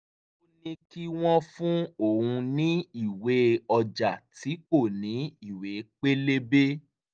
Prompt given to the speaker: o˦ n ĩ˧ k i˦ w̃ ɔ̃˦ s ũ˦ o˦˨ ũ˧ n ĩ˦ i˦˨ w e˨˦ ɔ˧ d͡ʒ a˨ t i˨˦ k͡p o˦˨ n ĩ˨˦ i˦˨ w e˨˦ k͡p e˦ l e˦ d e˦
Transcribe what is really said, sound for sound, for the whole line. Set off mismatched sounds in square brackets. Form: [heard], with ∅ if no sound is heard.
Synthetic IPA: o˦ n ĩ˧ k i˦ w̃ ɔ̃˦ [f] ũ˦ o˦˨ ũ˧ n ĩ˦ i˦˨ w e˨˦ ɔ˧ d͡ʒ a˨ t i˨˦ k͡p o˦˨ n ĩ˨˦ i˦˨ w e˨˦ k͡p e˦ l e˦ [b] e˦